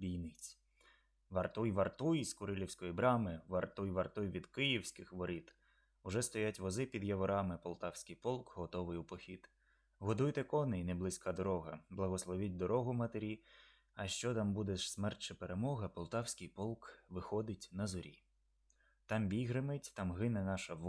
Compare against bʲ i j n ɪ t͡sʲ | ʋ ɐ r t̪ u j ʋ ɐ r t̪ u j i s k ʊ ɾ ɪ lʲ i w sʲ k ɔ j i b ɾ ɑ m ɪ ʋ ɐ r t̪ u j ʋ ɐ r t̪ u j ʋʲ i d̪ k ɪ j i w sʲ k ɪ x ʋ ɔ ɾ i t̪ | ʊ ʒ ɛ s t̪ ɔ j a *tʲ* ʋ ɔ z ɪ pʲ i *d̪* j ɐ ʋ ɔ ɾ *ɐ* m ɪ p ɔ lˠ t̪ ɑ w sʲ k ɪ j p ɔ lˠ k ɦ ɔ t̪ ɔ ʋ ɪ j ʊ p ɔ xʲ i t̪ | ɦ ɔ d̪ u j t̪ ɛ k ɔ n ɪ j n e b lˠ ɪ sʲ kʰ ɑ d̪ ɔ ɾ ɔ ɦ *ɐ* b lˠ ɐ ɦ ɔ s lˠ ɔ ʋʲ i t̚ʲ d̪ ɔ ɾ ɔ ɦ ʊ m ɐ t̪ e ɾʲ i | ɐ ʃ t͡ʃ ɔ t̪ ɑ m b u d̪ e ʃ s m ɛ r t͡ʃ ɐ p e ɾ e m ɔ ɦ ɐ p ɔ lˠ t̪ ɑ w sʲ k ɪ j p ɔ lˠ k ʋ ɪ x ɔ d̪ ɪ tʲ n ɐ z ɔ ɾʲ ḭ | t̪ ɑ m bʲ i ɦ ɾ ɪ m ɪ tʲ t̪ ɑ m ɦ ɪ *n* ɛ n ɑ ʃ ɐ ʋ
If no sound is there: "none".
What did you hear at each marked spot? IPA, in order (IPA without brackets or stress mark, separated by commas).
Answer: tʲ, d̪, ɑ, ɐ, n